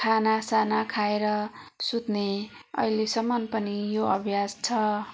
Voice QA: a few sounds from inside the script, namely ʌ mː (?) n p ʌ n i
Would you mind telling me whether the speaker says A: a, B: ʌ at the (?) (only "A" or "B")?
B